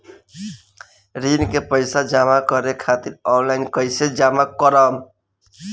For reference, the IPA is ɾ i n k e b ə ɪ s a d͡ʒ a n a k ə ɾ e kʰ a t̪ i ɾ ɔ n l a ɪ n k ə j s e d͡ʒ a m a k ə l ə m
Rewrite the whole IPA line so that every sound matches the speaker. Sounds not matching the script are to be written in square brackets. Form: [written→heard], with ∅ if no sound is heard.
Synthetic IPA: ɾ i n k e [b→p] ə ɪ s a d͡ʒ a [n→m] a k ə ɾ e kʰ a t̪ i ɾ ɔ n l a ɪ n k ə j s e d͡ʒ a m a k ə [l→ɾ] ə m